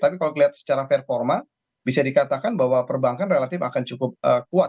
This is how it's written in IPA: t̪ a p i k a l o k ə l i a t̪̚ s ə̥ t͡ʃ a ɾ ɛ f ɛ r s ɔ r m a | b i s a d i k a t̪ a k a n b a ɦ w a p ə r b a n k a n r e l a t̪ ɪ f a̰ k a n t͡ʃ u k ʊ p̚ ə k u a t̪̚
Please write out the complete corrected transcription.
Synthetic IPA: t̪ a p i k a l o k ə l i a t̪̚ s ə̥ t͡ʃ a ɾ a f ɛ r f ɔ r m a | b i s a d i k a t̪ a k a n b a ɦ w a p ə r b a ŋ k a n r e l a t̪ ɪ f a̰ k a n t͡ʃ u k ʊ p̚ ə k u a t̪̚